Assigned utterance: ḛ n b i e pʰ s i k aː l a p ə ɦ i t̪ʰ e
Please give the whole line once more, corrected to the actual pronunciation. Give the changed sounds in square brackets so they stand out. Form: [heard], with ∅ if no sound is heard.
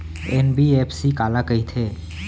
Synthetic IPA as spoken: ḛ n b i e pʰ s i k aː l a [k] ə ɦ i t̪ʰ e